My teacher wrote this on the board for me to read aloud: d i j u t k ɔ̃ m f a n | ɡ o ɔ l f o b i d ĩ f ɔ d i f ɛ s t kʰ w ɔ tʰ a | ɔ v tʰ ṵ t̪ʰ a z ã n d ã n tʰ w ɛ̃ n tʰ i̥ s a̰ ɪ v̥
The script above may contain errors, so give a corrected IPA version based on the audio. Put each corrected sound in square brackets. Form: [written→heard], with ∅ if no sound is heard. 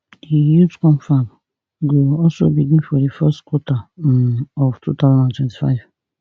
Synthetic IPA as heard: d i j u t k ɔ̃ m f a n | ɡ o ɔ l [f→s] o b i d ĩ f ɔ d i f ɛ s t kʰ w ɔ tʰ a | ɔ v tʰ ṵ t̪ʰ a z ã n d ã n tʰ w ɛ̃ n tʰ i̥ [s→f] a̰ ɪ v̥